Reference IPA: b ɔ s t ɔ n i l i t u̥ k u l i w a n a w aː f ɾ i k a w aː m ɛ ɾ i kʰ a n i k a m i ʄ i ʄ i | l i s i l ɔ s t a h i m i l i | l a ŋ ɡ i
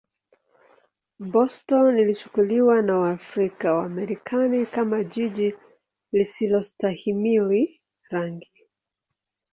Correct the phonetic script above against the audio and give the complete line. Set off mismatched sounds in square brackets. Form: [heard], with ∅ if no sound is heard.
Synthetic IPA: b ɔ s t ɔ n i l i [t͡ʃ] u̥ k u l i w a n a w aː f ɾ i k a w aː m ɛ ɾ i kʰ a n i k a m [a] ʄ i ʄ i | l i s i l ɔ s t a h i m i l i | [ɾ] a ŋ ɡ i